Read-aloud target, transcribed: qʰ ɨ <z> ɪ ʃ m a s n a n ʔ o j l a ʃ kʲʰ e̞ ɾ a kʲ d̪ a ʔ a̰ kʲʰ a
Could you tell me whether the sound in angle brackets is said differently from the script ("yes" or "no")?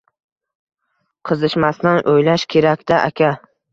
no